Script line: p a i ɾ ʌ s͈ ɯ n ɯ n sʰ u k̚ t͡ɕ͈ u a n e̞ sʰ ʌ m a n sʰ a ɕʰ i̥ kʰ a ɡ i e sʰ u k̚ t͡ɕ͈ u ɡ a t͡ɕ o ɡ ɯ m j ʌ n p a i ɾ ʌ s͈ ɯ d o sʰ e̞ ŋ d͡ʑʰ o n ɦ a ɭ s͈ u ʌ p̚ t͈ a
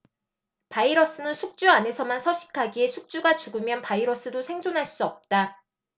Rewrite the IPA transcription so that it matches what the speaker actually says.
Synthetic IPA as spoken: p a i ɾ ʌ s͈ ɯ n ɯ n sʰ u k̚ t͡ɕ͈ u a n e̞ sʰ ʌ m a n sʰ ʌ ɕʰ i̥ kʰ a ɡ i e sʰ u k̚ t͡ɕ͈ u ɡ a t͡ɕ u ɡ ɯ m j ʌ n p a i ɾ ʌ s͈ ɯ d o sʰ e̞ ŋ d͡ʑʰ o n ɦ a ɭ s͈ u ʌ p̚ t͈ a